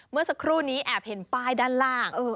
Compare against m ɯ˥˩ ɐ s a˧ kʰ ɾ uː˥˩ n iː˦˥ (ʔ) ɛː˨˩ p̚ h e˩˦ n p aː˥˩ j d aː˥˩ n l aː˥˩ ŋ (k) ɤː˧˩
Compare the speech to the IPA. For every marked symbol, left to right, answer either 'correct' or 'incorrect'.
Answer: correct, incorrect

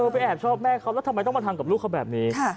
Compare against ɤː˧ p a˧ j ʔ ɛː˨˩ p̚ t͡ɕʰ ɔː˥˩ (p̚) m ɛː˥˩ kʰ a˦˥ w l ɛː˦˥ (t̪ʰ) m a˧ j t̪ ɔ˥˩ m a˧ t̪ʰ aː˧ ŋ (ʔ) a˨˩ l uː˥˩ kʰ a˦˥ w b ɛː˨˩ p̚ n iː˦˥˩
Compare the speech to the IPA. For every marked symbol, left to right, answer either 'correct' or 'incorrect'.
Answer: correct, correct, incorrect

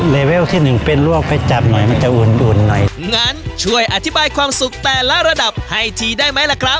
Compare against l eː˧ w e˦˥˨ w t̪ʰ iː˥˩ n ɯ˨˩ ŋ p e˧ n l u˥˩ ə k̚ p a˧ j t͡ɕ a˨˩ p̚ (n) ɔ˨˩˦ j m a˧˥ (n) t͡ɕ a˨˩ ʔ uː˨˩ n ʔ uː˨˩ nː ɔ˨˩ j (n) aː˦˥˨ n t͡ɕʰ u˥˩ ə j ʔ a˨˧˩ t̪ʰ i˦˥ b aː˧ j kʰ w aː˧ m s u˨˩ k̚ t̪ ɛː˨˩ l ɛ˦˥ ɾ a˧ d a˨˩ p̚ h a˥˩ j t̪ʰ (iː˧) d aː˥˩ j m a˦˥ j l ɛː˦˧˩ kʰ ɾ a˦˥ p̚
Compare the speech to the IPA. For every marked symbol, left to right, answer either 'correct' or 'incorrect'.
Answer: correct, correct, incorrect, correct

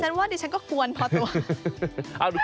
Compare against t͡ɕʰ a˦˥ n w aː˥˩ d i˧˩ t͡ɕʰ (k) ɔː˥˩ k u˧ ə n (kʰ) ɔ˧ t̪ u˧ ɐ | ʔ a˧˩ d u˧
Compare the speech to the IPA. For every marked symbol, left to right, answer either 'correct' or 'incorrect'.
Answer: correct, incorrect

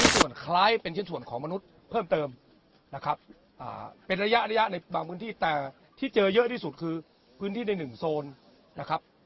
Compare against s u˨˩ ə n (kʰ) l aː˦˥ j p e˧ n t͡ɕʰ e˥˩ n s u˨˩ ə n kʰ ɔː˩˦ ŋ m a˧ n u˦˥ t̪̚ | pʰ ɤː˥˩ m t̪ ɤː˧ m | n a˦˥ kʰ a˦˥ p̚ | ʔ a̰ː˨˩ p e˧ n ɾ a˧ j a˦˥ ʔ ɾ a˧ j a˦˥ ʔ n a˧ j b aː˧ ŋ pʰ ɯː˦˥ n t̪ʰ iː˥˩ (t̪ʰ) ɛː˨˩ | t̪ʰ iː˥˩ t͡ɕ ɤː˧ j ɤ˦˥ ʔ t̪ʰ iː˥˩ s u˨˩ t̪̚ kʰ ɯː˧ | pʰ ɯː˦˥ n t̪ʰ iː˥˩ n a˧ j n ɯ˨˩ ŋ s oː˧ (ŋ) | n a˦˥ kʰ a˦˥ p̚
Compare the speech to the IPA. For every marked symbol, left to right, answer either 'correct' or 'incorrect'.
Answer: correct, incorrect, incorrect

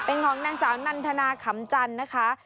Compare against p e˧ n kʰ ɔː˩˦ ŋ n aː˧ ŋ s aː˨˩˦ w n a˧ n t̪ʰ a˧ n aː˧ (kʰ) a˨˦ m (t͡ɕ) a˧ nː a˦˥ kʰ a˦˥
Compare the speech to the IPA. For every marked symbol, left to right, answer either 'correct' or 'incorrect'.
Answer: correct, correct

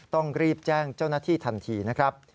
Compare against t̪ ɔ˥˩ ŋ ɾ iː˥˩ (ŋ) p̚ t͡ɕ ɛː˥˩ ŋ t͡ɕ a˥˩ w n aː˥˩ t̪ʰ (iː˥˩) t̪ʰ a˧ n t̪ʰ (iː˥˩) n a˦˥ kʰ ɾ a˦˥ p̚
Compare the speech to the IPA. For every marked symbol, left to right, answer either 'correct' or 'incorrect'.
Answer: incorrect, correct, incorrect

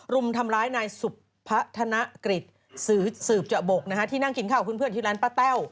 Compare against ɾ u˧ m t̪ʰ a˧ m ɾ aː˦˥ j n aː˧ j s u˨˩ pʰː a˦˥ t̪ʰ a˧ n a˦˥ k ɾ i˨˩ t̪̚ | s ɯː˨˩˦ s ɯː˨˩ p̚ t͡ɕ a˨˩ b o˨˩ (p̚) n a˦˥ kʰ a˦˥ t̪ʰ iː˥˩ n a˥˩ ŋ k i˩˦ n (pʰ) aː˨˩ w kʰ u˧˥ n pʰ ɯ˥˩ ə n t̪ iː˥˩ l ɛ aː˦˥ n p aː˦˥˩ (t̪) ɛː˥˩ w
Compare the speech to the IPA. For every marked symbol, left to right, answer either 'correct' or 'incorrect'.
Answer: incorrect, incorrect, correct

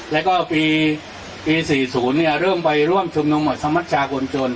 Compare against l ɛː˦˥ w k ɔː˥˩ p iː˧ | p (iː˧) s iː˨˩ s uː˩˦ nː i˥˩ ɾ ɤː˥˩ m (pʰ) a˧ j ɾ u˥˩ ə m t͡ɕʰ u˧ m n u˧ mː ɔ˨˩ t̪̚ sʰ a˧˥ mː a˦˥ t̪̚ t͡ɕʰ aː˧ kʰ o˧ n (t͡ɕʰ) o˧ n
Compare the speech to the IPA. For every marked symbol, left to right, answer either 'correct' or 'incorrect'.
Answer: correct, incorrect, incorrect

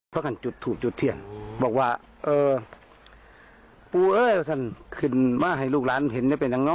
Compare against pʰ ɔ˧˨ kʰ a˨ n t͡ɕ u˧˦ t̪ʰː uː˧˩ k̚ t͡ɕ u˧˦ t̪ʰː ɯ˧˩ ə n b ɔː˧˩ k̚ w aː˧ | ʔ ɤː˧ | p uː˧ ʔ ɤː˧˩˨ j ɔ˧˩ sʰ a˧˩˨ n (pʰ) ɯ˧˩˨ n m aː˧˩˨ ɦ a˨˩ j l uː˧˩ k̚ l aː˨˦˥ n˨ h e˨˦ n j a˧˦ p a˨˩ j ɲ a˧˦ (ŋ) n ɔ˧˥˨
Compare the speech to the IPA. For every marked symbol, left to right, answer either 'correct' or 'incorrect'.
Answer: incorrect, correct

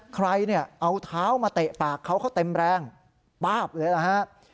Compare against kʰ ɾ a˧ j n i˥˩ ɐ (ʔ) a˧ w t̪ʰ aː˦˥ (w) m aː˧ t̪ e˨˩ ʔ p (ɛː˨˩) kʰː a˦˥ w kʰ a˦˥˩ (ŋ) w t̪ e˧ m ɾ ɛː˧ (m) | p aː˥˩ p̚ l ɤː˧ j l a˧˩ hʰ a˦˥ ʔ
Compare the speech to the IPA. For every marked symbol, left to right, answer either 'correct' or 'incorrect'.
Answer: correct, correct, incorrect, incorrect, incorrect

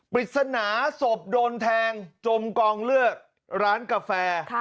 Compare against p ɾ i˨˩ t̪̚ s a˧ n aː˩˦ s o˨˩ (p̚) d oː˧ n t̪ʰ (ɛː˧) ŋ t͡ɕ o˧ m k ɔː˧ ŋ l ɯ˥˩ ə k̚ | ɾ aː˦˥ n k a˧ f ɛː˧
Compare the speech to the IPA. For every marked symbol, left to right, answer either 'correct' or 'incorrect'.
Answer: correct, correct

